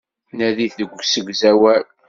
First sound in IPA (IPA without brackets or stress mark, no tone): n